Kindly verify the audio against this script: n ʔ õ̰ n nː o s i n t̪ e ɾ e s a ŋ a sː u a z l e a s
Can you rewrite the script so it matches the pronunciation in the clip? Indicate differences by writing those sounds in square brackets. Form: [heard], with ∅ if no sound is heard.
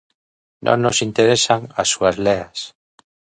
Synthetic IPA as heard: n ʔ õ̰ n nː o s i n t̪ e ɾ e s a ŋ a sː u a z l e a s